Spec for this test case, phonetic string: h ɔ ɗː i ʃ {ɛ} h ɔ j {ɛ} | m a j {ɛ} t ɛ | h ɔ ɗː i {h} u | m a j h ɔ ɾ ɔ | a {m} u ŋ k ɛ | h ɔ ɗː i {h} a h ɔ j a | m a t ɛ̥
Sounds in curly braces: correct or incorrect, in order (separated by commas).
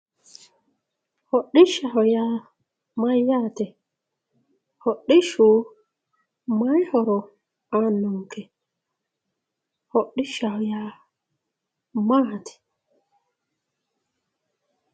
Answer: incorrect, incorrect, incorrect, incorrect, incorrect, incorrect